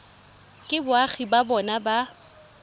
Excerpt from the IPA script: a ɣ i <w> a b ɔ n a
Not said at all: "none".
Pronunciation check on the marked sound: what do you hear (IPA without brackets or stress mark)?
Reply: b